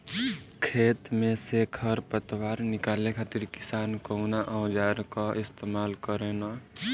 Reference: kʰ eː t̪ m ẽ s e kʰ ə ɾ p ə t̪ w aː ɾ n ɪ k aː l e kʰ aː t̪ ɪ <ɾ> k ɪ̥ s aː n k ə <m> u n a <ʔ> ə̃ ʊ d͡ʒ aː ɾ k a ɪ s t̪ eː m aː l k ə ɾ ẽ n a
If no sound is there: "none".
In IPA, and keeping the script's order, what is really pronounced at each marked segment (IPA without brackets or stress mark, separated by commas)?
ɾ, none, ʔ